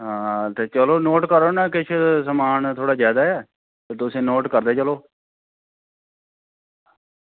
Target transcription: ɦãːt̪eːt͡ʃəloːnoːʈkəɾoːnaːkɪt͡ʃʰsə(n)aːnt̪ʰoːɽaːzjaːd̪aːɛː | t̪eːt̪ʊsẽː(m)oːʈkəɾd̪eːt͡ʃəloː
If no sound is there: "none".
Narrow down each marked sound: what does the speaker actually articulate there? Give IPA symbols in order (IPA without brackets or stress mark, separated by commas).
m, n